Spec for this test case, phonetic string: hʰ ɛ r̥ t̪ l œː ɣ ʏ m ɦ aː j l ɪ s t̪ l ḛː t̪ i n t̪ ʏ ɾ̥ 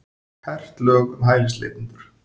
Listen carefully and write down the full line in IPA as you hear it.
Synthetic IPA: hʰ ɛ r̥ t̪ l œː ɣ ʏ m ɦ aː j l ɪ s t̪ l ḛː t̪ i n t̪ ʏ ɾ̥